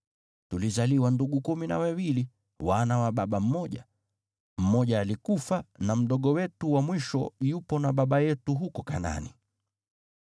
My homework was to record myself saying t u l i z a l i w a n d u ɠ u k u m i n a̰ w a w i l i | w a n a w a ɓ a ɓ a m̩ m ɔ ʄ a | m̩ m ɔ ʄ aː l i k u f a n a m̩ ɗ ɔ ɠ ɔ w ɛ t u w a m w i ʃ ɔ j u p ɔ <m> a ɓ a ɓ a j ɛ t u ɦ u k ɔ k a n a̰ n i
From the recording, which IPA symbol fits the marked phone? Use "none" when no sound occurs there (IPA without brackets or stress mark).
n